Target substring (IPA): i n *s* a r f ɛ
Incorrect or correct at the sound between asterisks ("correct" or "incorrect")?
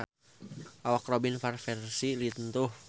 incorrect